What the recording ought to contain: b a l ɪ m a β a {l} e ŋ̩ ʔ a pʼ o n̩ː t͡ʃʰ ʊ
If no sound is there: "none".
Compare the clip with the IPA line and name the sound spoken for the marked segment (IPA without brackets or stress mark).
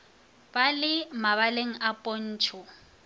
l